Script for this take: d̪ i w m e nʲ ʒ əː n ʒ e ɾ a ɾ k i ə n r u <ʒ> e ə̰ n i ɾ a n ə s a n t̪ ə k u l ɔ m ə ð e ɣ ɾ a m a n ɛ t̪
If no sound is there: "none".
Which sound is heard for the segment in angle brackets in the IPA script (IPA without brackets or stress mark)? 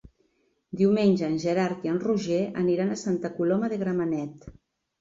ʒ